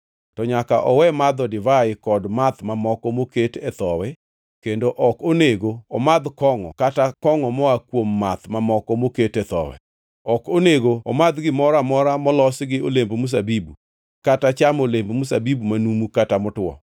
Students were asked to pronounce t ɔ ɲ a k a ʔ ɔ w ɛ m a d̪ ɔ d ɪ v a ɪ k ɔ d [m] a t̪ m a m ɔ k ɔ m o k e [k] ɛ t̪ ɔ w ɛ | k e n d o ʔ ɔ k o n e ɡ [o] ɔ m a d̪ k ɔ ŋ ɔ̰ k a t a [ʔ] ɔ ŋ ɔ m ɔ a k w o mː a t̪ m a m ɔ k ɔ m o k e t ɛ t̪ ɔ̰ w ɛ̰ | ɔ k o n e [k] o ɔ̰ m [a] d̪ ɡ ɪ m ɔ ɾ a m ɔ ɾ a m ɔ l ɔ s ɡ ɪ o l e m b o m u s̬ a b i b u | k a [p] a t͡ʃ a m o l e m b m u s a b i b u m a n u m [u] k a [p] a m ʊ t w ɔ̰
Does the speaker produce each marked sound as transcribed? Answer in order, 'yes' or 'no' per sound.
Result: yes, no, yes, no, no, yes, no, yes, no

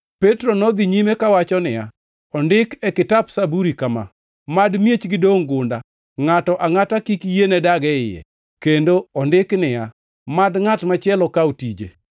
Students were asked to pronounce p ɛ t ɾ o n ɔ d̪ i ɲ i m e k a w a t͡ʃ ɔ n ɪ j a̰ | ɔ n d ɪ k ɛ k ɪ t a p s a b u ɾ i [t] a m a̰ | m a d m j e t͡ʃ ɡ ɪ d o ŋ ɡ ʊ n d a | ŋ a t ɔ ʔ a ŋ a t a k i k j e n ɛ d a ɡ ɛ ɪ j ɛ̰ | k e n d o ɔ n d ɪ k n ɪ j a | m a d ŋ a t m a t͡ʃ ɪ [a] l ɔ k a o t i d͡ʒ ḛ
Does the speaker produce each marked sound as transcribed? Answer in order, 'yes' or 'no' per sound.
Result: no, no

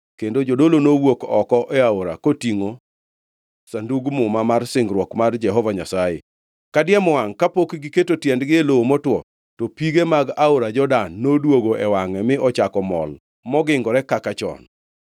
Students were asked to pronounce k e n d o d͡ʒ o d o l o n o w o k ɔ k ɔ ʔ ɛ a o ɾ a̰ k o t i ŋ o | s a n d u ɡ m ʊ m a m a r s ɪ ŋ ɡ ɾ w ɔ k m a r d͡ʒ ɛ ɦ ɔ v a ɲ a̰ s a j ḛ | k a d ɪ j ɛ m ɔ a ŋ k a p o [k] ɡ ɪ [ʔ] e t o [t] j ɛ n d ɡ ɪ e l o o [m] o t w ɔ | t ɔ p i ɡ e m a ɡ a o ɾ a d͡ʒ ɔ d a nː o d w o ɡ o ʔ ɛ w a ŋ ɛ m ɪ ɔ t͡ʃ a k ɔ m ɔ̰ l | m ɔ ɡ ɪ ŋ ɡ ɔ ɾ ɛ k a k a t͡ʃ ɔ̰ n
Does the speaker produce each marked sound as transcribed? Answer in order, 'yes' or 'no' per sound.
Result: yes, no, yes, yes

